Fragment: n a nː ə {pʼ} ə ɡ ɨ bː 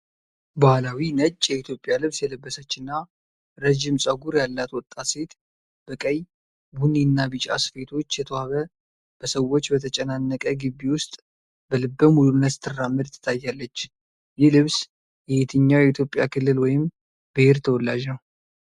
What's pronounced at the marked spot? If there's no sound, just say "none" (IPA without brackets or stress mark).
kʼ